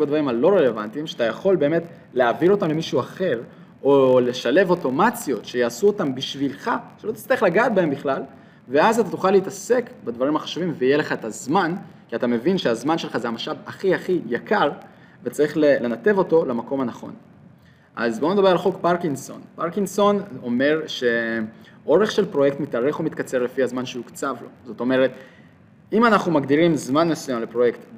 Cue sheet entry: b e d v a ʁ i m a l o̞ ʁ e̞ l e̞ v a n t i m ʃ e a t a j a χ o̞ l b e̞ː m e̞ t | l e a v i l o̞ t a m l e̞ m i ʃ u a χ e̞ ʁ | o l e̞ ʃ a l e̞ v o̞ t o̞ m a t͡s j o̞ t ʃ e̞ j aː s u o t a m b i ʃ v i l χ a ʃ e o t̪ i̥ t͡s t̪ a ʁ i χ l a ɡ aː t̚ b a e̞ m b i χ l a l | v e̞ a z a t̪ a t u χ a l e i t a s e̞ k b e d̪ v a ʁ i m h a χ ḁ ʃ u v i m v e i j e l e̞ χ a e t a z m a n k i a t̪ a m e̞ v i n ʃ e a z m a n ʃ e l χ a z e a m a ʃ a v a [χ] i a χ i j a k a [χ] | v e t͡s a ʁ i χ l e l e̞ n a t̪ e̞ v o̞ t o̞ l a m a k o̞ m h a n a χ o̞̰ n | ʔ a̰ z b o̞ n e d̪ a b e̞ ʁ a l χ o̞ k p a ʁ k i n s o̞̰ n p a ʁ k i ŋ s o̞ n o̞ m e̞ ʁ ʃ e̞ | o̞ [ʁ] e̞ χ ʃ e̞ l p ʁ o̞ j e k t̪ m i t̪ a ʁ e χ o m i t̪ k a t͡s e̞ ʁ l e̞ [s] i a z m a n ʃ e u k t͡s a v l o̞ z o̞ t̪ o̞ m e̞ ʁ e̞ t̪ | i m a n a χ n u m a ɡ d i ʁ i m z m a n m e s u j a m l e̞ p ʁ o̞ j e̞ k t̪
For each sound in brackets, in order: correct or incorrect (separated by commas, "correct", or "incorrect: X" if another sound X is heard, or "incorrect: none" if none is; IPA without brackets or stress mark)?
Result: correct, incorrect: ʁ, correct, incorrect: f